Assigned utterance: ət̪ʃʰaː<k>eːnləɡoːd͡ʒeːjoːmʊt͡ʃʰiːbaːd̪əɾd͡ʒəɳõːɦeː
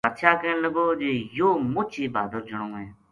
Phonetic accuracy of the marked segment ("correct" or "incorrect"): correct